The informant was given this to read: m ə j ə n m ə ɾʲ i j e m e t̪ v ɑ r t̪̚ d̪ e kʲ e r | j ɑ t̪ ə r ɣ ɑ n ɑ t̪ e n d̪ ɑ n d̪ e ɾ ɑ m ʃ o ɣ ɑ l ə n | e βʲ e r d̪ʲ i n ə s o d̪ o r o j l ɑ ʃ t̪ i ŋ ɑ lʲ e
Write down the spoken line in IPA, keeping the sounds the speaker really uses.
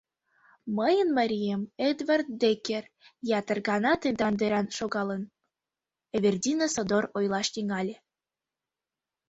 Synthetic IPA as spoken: m ə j ə n m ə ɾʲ i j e m e d̪ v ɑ r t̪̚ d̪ e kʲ e r | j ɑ t̪ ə r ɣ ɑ n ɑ t̪ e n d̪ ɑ n d̪ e ɾ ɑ n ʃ o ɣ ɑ l ə n | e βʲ e r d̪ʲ i n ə s o d̪ o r o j l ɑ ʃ t̪ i ŋ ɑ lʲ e